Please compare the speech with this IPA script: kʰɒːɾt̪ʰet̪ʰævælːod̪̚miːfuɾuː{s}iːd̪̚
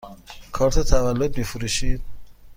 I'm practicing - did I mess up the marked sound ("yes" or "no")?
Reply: yes